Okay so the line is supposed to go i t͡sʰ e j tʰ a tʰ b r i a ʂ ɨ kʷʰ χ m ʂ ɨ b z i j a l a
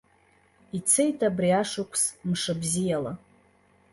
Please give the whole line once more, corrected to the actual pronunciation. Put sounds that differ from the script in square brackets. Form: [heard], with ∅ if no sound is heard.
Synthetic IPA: i t͡sʰ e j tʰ a [∅] b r i a ʂ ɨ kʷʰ [s] m ʂ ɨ b z i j a l a